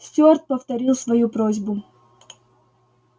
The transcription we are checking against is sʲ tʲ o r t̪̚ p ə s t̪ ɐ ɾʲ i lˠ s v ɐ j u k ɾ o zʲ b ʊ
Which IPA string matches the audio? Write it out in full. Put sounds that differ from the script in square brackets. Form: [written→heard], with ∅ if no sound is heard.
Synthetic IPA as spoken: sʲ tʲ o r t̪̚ p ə [s→f] t̪ ɐ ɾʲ i lˠ s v ɐ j u [k→p] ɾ o zʲ b ʊ